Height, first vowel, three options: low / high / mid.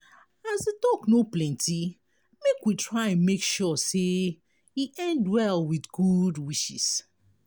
low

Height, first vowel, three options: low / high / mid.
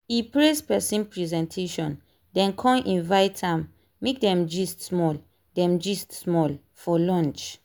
high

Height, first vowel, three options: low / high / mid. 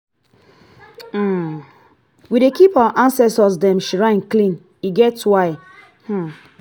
high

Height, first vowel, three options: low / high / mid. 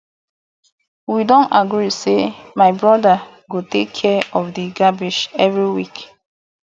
high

